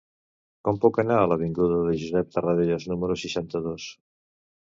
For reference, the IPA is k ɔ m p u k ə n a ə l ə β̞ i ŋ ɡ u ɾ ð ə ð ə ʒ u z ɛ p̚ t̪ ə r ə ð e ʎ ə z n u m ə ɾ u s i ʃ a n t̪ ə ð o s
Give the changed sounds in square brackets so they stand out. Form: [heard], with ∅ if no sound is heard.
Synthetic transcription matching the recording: k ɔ m p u k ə n a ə l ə β̞ i ŋ ɡ u [∅] ð ə ð ə ʒ u z ɛ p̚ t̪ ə r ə ð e ʎ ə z n u m ə ɾ u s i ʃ a n t̪ ə ð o s